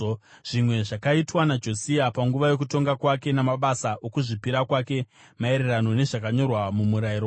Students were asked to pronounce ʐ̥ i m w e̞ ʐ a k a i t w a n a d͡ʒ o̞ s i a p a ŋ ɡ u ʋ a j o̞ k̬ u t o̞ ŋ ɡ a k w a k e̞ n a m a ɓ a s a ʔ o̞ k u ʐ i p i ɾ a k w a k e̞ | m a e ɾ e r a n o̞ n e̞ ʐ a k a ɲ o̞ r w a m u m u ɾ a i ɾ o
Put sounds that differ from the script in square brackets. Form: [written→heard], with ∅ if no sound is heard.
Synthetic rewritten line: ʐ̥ i m w e̞ ʐ a k a i t w a n a d͡ʒ o̞ s i a p a ŋ ɡ u ʋ a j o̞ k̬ u t o̞ ŋ ɡ a k w a k e̞ n a m a ɓ a s a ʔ o̞ k u ʐ i p i ɾ a k w a k e̞ | m a e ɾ e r a n o̞ n e̞ ʐ a k a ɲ o̞ r w a m u m u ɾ a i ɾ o